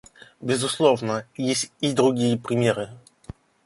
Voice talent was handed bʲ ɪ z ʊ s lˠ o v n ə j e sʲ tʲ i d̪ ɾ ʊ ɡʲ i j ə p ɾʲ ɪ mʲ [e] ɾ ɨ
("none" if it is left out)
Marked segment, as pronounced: e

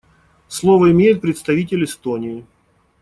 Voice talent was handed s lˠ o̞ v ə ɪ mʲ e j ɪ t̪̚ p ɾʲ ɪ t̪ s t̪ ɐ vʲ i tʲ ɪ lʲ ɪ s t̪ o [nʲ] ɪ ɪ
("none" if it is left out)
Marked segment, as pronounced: nʲ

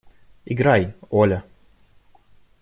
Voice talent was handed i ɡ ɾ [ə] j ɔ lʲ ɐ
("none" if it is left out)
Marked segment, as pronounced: a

